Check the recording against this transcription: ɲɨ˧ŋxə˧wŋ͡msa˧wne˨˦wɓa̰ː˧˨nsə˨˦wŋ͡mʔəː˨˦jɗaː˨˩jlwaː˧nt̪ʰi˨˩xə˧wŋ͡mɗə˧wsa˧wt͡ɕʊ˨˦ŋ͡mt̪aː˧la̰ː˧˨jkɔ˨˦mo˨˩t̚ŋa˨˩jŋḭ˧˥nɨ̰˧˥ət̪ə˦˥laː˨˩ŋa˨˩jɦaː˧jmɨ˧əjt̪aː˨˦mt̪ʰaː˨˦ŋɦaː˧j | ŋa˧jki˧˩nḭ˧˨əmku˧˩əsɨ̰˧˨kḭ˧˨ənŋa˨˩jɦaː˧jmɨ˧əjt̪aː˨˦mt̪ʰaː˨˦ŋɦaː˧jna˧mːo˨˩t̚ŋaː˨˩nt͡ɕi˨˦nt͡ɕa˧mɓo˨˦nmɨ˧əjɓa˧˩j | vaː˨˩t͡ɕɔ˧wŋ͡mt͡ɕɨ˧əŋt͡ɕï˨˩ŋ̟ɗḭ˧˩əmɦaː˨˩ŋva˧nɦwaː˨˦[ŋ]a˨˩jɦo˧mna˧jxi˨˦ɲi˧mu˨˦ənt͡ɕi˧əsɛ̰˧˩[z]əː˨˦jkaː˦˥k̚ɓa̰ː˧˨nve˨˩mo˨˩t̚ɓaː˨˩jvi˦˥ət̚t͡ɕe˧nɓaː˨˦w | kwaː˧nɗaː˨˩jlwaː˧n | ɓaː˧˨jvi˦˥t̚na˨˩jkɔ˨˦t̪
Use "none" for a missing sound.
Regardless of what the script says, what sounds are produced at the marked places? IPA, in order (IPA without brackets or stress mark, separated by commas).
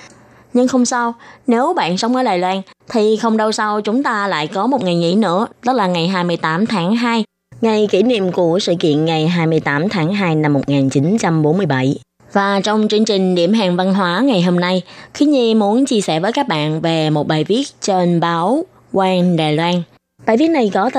ŋ, v